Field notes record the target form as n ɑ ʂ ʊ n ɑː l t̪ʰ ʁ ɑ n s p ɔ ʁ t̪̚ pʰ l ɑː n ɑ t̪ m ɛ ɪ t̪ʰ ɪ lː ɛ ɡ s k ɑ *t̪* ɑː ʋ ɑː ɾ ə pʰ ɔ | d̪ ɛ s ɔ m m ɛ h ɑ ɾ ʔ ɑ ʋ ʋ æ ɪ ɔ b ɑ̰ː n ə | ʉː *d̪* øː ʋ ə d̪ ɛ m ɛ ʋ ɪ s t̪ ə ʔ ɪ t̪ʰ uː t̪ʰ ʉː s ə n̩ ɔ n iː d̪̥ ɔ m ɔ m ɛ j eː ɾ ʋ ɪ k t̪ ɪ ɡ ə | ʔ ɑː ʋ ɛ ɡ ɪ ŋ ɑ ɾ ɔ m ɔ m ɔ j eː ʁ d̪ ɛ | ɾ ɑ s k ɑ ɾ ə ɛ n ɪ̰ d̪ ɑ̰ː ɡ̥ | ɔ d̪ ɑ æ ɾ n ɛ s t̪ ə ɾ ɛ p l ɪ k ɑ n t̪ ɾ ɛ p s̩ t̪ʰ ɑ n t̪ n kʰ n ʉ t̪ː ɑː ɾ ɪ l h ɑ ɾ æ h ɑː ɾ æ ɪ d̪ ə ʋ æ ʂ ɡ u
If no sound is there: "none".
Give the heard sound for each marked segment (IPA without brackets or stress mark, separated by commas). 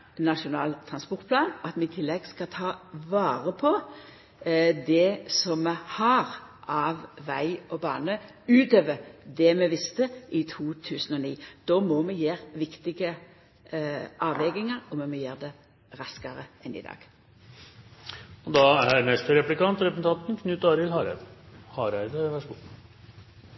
t̪ʰ, t̪